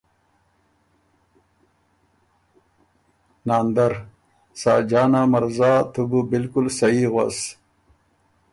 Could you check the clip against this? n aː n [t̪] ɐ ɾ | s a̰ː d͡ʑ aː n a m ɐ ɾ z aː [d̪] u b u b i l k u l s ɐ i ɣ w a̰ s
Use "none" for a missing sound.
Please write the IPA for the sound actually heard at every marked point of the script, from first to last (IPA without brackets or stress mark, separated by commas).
d̪, t̪